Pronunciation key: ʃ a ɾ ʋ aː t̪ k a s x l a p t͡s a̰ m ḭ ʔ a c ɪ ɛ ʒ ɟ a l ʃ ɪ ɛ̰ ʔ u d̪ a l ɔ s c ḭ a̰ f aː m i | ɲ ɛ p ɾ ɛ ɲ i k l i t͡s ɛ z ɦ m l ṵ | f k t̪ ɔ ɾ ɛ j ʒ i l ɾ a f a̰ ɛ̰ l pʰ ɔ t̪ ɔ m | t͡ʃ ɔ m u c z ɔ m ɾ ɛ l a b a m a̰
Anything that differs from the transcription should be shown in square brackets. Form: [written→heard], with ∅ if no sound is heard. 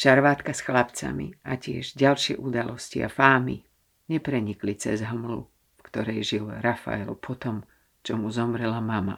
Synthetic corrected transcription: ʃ a ɾ ʋ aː t̪ k a s x l a p t͡s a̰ m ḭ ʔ a c ɪ ɛ ʒ ɟ a l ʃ ɪ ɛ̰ ʔ u d̪ a l ɔ s c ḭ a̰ f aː m i | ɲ ɛ p ɾ ɛ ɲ i k l i t͡s ɛ z ɦ m l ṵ | f k t̪ ɔ ɾ ɛ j ʒ i l ɾ a f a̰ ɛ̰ l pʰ ɔ t̪ ɔ m | t͡ʃ ɔ m u [c→∅] z ɔ m ɾ ɛ l a [b→m] a m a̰